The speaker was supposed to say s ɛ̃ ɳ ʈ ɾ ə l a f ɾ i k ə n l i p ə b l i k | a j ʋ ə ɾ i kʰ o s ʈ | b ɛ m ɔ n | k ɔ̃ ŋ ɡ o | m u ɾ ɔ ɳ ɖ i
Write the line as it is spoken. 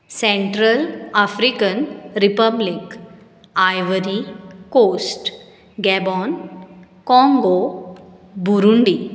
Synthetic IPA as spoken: s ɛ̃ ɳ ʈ ɾ ə l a f ɾ i k ə n ɾ i p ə b l i k | a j ʋ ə ɾ i k o s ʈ | ɡ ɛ b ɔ n | k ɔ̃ ŋ ɡ o | b u ɾ u ɳ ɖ i